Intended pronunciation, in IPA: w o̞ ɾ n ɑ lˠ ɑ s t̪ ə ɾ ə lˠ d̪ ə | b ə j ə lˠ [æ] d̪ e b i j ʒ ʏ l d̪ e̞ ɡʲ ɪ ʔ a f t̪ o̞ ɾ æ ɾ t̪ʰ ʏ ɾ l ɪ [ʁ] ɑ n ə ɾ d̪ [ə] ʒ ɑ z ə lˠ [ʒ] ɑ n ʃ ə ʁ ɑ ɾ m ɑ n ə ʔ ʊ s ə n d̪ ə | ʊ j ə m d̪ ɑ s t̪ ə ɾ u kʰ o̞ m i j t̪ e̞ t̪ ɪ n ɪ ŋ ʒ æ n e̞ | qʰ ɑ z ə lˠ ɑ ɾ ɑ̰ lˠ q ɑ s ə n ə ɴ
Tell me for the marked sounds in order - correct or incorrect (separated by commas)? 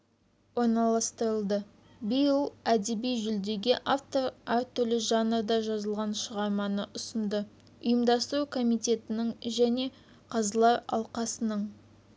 correct, incorrect, incorrect, incorrect